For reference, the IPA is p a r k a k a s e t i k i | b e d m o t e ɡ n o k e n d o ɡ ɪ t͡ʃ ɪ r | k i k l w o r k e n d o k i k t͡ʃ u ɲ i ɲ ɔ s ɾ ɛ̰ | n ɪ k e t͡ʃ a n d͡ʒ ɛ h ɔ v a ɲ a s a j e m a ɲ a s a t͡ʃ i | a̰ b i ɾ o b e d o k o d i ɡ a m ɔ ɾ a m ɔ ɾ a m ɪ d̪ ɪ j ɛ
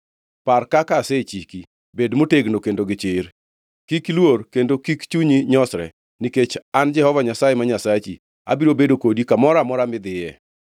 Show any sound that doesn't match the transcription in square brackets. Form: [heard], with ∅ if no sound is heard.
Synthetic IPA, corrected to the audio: p a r k a k a s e [t͡ʃ] i k i | b e d m o t e ɡ n o k e n d o ɡ ɪ t͡ʃ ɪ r | k i k l w o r k e n d o k i k t͡ʃ u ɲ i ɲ ɔ s ɾ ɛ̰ | n [i] k e t͡ʃ a n d͡ʒ ɛ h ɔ v a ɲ a s a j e m a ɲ a s a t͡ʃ i | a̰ b i ɾ o b e d o k o d i [k] a m ɔ ɾ a m ɔ ɾ a m ɪ d̪ ɪ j ɛ